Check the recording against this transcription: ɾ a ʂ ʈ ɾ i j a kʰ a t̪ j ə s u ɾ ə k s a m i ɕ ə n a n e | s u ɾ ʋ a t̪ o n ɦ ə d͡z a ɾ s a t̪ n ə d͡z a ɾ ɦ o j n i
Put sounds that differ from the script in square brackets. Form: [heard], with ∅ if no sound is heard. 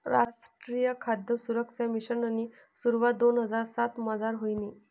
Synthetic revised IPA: ɾ a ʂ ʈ ɾ i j [ə] kʰ a [d̪] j ə s u ɾ ə k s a m i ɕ ə n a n [i] | s u ɾ ʋ a [d̪] o n ɦ ə d͡z a ɾ s a t̪ [m] ə d͡z a ɾ ɦ o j n i